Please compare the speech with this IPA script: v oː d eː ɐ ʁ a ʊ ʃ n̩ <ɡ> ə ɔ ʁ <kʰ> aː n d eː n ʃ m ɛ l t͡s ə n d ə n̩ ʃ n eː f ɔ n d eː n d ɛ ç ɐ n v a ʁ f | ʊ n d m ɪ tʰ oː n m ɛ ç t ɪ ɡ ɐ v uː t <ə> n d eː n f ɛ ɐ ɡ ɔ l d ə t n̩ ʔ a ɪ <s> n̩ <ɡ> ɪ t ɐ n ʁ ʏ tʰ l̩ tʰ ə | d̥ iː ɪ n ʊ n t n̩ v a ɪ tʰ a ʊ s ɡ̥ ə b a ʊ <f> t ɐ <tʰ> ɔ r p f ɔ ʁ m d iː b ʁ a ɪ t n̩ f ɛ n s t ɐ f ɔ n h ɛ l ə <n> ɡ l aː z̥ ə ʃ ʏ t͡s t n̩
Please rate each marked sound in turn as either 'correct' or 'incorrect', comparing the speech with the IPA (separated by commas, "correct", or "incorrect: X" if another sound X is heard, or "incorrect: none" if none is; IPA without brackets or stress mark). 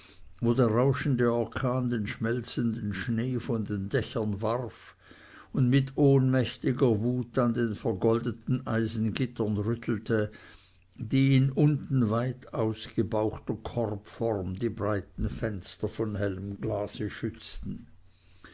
incorrect: d, correct, incorrect: a, incorrect: z, correct, incorrect: x, incorrect: kʰ, incorrect: m